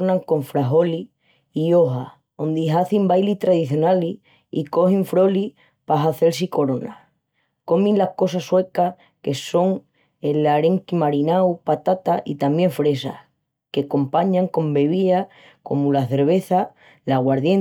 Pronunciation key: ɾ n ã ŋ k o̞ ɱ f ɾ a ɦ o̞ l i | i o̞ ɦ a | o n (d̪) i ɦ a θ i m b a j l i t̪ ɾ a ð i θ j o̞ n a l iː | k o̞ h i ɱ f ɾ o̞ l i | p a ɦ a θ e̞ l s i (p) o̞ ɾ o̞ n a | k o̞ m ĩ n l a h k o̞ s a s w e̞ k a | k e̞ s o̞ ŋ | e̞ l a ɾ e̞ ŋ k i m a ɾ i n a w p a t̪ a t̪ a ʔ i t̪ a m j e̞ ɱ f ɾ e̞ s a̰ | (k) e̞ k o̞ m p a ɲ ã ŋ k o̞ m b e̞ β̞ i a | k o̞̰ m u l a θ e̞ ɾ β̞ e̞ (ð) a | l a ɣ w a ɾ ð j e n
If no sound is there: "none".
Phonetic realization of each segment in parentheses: d̪, k, k, θ

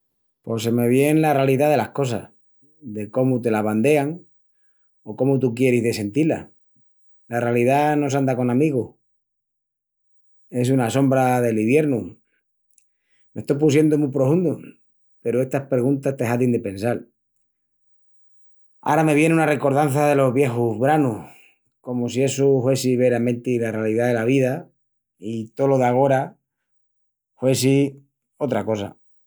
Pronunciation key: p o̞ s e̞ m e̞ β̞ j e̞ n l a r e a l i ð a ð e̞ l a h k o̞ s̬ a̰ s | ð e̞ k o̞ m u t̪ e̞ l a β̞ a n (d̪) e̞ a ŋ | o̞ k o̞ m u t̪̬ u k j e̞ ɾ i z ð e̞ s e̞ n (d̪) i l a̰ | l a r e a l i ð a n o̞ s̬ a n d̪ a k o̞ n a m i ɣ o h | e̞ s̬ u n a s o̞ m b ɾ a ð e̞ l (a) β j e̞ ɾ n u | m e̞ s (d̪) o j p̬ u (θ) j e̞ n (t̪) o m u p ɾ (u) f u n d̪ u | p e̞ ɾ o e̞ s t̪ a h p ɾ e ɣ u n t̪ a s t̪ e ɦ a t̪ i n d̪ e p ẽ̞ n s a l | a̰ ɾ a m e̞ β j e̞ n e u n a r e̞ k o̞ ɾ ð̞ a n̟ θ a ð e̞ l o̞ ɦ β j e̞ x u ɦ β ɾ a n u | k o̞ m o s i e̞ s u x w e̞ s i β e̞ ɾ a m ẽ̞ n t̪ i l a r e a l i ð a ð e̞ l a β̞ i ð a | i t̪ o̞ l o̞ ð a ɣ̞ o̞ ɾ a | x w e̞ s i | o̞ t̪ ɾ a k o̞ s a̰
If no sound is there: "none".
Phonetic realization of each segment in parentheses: d̪, t̪, i, t̪, s, d̪, o

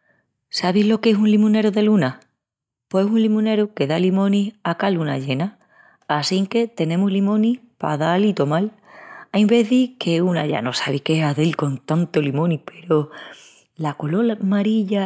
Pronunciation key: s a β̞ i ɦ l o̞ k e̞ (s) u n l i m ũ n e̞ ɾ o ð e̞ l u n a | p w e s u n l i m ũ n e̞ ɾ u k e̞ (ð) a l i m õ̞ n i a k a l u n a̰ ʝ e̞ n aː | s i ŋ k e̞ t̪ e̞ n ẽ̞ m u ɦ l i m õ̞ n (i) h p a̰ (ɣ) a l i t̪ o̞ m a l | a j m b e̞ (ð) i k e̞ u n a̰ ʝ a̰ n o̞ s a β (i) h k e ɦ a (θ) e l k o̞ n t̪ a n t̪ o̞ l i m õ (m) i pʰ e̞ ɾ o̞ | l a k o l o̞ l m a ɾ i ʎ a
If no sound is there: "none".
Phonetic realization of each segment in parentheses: s, ð, i, ð, ð, i, ð, n

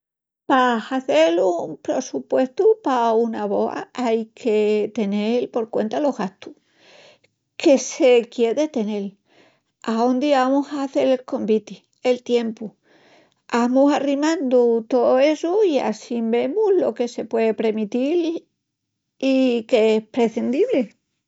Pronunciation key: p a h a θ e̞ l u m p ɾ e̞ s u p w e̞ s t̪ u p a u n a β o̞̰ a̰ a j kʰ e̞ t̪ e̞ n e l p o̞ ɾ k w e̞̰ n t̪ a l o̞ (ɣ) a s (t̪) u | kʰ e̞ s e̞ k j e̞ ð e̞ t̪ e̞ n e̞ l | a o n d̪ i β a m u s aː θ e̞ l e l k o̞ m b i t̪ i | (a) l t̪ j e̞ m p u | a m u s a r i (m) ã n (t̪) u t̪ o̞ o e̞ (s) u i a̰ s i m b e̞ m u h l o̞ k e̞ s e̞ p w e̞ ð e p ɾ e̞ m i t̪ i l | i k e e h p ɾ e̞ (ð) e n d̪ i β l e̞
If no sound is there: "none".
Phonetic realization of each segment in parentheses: ɣ, t̪, e, m, d̪, s, θ

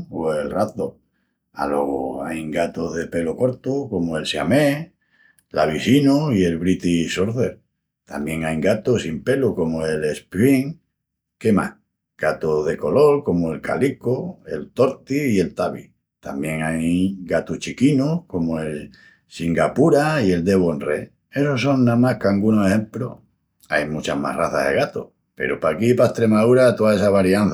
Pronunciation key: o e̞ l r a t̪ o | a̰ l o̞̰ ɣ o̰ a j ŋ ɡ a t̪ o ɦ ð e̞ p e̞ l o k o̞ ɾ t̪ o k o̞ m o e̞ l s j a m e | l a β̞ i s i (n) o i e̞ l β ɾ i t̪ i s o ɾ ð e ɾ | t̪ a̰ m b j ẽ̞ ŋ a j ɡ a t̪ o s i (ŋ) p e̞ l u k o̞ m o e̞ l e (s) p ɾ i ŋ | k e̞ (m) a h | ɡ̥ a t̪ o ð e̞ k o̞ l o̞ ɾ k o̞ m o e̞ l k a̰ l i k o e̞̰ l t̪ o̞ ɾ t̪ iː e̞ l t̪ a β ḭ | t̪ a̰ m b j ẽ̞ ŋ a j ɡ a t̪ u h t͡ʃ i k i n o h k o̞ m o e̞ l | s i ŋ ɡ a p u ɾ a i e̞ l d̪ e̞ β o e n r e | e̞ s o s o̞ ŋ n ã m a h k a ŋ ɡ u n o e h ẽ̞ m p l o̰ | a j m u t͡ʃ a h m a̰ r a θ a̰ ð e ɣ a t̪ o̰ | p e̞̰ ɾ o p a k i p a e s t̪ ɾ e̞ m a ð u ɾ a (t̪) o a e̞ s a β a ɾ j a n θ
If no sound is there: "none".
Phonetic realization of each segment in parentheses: n, m, s, m, t̪

